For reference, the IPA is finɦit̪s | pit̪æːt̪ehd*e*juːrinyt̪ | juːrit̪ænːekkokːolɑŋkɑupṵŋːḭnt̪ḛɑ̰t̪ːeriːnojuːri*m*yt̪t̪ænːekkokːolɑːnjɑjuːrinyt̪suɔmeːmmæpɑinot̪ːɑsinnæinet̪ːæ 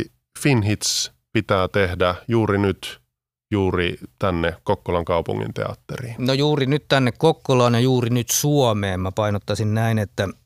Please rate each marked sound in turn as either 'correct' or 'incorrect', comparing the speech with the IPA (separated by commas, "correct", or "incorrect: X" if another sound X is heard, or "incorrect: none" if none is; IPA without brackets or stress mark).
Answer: incorrect: æ, incorrect: n